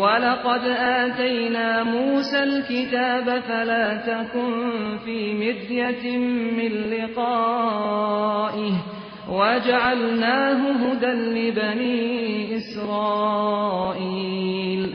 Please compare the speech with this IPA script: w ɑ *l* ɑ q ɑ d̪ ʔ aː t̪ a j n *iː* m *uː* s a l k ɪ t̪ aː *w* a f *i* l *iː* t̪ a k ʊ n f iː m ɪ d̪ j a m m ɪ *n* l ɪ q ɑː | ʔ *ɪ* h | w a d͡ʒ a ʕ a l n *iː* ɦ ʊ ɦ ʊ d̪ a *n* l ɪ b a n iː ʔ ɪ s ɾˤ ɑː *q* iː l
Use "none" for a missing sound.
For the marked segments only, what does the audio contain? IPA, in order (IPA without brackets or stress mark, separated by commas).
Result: l, aː, uː, b, a, aː, n, ɪ, aː, n, ʔ